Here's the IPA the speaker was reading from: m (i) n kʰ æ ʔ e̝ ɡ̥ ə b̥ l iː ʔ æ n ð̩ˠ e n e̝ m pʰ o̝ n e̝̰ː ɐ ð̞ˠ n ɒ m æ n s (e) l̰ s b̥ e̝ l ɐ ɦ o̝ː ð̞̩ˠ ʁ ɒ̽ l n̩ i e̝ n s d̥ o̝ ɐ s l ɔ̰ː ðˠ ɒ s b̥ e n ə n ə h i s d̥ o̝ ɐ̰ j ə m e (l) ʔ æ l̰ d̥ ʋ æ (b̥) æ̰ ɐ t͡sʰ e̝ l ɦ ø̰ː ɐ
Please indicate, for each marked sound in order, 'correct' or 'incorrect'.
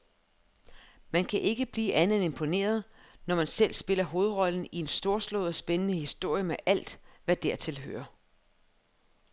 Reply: incorrect, correct, incorrect, incorrect

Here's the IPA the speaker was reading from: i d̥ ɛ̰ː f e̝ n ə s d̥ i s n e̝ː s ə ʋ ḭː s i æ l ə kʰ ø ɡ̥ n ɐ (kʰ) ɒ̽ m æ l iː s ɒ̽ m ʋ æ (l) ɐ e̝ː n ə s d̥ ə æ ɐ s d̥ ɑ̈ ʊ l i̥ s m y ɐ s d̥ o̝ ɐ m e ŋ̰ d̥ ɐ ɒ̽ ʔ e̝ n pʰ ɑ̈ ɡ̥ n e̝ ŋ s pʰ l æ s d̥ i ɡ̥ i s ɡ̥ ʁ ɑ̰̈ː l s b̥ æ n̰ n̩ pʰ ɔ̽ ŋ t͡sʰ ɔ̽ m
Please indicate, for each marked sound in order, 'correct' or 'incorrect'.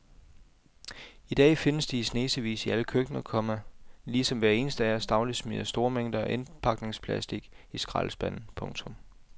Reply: correct, incorrect

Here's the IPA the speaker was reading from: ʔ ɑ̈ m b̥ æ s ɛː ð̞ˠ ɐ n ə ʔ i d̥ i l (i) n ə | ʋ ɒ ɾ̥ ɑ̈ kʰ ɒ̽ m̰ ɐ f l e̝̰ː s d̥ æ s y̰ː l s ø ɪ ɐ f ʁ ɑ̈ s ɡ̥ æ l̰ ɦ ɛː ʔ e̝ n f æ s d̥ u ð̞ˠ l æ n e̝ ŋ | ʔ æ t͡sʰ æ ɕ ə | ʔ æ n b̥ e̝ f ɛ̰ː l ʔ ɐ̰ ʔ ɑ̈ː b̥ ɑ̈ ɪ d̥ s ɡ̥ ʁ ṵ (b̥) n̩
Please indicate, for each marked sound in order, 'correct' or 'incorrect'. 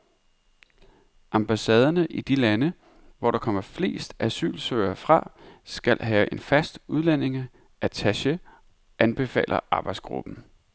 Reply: incorrect, correct

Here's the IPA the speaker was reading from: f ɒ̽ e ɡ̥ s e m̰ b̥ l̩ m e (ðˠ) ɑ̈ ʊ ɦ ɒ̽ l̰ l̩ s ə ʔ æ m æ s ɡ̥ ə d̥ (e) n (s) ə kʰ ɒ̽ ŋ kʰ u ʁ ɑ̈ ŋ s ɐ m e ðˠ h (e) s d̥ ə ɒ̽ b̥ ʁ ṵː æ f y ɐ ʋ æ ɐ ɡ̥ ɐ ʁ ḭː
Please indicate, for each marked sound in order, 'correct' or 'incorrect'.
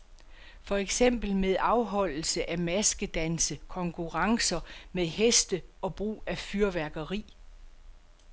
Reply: correct, incorrect, correct, correct

